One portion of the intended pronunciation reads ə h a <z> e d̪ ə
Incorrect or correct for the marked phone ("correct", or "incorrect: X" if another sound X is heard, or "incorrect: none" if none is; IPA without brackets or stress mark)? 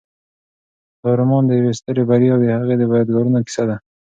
incorrect: ɣ